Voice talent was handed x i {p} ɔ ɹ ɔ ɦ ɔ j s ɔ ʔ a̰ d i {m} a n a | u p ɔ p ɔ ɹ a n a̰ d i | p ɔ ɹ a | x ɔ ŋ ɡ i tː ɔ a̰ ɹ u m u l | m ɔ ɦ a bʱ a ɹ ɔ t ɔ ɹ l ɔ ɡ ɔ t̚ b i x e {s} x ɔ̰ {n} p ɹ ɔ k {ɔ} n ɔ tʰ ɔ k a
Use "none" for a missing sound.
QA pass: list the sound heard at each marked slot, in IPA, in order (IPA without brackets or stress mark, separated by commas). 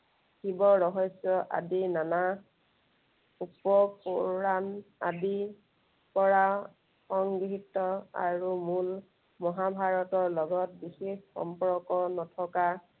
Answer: b, n, x, m, ɔ